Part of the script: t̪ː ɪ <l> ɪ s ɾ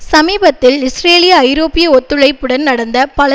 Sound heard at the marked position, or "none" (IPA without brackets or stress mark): l